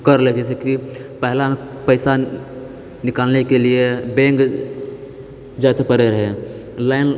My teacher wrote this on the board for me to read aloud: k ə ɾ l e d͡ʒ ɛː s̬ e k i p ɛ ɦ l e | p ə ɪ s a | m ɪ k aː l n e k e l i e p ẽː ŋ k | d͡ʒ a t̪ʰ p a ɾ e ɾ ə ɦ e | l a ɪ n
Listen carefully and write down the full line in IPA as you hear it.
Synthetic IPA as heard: k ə ɾ l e d͡ʒ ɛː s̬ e k i p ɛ ɦ l a | p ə ɪ s a | n ɪ k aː l n e k e l i e b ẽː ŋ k | d͡ʒ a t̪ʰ p ə ɾ e ɾ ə ɦ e | l a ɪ n